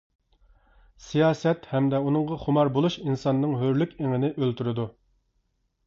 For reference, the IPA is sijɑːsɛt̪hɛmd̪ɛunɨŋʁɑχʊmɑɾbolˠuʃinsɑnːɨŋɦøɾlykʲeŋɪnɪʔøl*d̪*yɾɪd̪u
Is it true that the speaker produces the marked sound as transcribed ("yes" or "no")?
no